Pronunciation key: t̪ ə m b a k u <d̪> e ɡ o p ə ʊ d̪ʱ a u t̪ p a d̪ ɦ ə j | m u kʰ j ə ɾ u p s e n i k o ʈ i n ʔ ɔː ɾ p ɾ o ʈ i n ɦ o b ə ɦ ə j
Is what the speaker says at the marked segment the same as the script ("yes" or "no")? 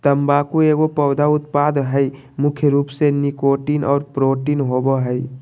no